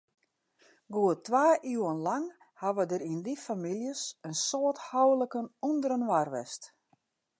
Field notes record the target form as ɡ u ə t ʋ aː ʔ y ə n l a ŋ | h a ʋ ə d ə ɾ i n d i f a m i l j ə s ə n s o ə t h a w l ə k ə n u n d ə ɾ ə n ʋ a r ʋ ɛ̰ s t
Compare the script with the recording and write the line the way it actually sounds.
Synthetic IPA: ɡ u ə t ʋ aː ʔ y ə n l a ŋ | h a ʋ ə d ə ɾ i n d i f a m i l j ə s ə n s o ə t h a w l ə k ə n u n d ə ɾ ə n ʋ a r ʋ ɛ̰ s t